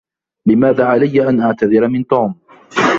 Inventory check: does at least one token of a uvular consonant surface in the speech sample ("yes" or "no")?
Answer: no